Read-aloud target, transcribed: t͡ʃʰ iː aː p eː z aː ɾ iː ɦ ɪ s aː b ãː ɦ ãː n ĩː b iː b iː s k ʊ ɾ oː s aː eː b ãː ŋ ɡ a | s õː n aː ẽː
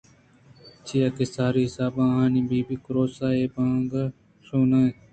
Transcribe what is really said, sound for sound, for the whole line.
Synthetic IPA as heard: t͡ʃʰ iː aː k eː s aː ɾ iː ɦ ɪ s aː b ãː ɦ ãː n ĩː b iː b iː k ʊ ɾ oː s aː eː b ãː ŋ ɡ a | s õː n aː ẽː